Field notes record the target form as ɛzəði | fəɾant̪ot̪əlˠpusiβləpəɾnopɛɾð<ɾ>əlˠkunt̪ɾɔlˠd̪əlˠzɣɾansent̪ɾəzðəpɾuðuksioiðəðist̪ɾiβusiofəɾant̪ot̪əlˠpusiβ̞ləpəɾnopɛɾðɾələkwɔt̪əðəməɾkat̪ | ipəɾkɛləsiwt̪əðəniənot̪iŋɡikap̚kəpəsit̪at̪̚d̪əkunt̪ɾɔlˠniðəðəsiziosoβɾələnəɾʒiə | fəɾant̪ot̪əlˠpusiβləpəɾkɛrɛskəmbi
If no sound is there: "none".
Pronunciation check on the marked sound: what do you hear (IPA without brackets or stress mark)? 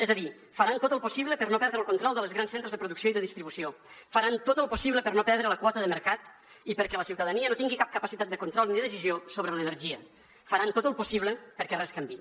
ɾ